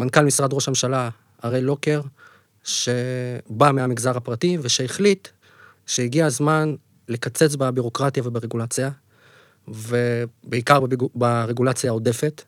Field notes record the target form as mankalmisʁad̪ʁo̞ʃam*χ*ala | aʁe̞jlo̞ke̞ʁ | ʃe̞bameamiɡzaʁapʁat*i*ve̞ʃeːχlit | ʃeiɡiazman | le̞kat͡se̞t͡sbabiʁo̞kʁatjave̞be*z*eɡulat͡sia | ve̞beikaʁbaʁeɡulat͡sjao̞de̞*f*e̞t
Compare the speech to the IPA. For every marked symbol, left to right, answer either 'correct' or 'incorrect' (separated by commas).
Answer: incorrect, correct, incorrect, correct